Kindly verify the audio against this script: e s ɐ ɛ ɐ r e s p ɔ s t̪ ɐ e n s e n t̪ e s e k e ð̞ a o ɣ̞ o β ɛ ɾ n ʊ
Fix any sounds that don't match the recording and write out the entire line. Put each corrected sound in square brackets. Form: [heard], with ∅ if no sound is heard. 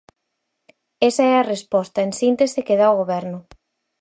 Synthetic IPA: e s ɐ ɛ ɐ r e s p ɔ s t̪ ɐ e n s [i] n t̪ e s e k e ð̞ a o ɣ̞ o β ɛ ɾ n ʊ